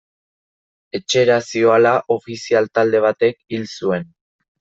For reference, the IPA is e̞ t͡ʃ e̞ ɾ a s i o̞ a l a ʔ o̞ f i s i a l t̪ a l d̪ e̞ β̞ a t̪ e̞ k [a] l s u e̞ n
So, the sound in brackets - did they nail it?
no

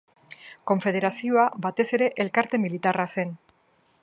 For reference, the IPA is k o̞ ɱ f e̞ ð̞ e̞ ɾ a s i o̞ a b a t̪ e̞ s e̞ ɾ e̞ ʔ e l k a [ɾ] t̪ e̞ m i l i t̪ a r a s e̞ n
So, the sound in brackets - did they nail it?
yes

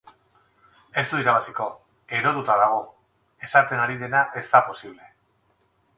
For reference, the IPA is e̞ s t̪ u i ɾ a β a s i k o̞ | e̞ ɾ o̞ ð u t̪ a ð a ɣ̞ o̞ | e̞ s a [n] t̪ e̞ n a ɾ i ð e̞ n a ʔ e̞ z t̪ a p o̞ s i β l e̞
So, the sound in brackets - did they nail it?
no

